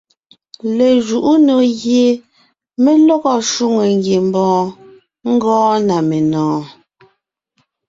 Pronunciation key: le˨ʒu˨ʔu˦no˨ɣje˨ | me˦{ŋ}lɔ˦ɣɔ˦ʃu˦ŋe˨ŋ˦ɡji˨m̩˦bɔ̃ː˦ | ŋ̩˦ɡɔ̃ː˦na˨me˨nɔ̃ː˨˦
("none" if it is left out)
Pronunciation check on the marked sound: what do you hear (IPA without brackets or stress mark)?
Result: none